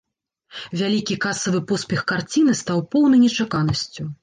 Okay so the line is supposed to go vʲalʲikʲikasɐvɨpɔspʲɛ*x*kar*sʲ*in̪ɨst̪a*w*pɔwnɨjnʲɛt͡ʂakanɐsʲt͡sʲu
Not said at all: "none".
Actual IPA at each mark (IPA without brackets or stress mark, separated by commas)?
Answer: x, t͡sʲ, w